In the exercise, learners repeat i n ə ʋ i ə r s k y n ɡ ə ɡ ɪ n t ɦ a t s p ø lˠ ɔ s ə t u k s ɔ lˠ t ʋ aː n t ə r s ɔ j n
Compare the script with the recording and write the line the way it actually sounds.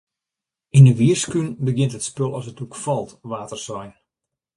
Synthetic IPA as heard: i n ə ʋ i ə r s k y n b ə ɡ ɪ n t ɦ ə t s p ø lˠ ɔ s ə t u k f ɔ lˠ t ʋ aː t ə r s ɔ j n

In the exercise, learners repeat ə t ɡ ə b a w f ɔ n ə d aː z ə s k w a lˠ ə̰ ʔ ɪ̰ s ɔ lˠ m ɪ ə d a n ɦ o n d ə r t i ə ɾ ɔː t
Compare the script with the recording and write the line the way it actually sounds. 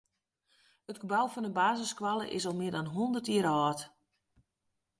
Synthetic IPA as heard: ə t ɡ ə b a w f ɔ n ə b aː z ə s k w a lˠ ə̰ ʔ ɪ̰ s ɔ lˠ m ɪ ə d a n ɦ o n d ə r t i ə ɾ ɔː t

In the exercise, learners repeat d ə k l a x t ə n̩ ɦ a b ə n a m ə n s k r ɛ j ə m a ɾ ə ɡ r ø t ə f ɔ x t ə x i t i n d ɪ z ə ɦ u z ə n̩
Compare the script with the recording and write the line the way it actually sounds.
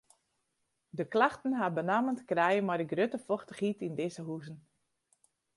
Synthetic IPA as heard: d ə k l a x t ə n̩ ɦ a b ə n a m ə n t k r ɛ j ə m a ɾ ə ɡ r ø t ə f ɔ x t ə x i t i n d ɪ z ə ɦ u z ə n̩

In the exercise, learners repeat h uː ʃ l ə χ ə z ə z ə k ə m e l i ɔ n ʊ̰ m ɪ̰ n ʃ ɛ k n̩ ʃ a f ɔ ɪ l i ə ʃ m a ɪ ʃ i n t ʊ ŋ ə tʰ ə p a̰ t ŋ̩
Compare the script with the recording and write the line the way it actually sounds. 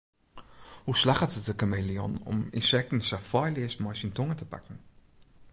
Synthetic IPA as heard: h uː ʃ l a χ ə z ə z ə k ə m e l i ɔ n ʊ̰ m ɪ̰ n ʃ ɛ k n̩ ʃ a f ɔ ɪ l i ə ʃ m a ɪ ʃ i n t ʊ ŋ ə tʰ ə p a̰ k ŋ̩

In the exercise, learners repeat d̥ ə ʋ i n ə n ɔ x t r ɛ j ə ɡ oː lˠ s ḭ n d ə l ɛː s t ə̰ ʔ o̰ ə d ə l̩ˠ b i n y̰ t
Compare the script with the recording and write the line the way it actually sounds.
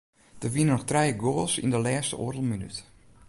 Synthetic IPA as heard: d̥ ə ʋ i n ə n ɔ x t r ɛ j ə ɡ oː lˠ s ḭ n d ə l ɛː s t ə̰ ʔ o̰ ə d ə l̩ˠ m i n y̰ t

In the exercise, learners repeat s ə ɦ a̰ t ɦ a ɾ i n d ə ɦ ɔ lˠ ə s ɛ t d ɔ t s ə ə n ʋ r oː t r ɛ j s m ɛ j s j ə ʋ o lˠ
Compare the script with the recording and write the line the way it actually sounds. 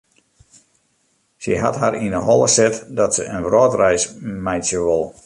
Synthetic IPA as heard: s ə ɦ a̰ t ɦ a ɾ i n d ə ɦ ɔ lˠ ə s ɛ t d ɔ t s ə ə n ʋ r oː t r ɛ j s m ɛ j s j ə ʋ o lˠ

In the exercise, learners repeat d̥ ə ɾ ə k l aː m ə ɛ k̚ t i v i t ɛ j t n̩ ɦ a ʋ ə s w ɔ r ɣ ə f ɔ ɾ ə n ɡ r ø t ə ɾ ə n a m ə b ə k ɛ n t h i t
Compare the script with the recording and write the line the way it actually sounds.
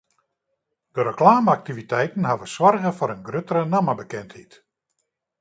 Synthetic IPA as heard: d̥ ə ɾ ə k l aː m ə a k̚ t i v i t ɛ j t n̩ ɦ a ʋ ə s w ɔ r ɣ ə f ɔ ɾ ə n ɡ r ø t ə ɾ ə n a m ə b ə k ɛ n t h i t

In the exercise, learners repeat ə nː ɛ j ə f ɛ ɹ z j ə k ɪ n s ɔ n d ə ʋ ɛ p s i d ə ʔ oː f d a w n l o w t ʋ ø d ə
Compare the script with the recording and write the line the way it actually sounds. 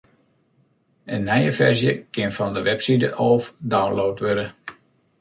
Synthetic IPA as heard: ə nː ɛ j ə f ɛ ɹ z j ə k ɪ n f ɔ n d ə ʋ ɛ p s i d ə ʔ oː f d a w n l o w t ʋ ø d ə

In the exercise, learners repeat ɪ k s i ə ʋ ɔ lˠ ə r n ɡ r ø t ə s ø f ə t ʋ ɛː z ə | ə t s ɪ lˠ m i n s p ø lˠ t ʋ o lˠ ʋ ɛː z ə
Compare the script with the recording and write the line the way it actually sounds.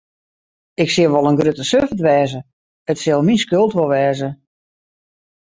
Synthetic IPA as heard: ɪ k s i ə ʋ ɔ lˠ ə n ɡ r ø t ə s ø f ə t ʋ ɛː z ə | ə t s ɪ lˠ m i n s k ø lˠ t ʋ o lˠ ʋ ɛː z ə

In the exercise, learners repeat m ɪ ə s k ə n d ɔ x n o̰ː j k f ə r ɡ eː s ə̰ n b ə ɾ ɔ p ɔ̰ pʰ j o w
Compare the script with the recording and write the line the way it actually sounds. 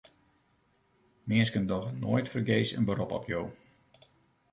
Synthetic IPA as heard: m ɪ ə s k ə n d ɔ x n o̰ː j t f ə r ɡ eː s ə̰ n b ə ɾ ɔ p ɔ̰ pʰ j o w

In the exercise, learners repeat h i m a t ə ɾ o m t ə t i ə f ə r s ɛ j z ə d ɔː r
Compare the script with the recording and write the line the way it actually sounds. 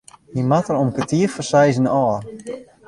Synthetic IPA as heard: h i m a t ə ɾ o m k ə t i ə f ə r s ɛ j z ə n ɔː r

